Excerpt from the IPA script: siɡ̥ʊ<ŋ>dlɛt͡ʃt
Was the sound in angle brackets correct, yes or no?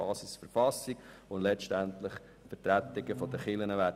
no